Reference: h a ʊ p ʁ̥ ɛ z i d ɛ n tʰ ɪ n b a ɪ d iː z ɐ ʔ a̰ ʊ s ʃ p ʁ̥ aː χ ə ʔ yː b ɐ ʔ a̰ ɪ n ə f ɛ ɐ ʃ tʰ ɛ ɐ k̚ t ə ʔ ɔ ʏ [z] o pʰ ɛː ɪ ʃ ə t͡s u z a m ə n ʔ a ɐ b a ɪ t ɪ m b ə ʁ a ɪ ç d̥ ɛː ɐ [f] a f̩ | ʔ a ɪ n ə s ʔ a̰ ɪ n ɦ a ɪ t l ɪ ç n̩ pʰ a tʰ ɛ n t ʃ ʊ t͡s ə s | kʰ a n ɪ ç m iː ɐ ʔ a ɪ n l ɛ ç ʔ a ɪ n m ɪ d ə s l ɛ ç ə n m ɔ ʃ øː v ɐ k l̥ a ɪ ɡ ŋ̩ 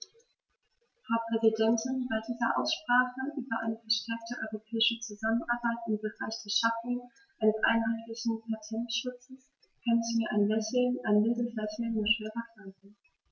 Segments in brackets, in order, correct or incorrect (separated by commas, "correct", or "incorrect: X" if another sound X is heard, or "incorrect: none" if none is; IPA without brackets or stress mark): incorrect: ʁ, incorrect: ʃ